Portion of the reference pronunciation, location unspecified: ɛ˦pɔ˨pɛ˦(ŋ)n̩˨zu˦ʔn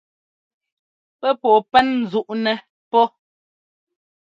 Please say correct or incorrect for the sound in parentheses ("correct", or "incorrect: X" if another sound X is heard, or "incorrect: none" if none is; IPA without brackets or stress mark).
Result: incorrect: n